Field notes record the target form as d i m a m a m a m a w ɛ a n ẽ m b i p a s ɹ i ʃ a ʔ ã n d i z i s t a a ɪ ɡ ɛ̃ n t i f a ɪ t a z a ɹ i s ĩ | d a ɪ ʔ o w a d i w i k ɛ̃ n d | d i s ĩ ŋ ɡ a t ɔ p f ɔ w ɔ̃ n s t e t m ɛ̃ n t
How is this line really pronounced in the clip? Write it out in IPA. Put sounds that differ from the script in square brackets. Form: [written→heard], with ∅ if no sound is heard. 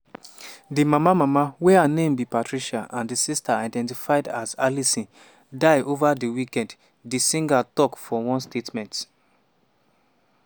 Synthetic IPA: d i m a m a m a m a w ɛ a n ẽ m b i p a [s→t] ɹ i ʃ a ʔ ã n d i [z→s] i s t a a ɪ [ɡ→d] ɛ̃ n t i f a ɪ [t→d] a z a [ɹ→l] i s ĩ | d a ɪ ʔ o [w→v] a d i w i k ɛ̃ n d | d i s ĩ ŋ ɡ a t ɔ [p→k] f ɔ w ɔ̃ n s t e t m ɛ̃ n t